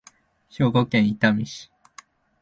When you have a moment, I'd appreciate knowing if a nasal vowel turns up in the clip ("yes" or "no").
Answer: yes